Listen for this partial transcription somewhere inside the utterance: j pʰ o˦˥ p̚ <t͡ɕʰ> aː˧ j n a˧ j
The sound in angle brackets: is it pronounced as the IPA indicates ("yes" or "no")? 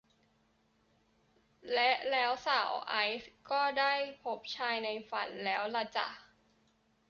yes